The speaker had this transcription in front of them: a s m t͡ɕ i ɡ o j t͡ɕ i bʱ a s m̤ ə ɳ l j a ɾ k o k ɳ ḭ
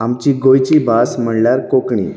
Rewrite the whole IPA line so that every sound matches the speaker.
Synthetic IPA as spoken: a m t͡ɕ i ɡ o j t͡ɕ i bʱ a s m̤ ə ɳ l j a ɾ k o k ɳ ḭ